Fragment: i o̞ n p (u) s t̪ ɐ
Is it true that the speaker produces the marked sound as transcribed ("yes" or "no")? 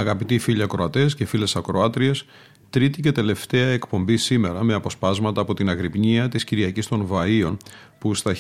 yes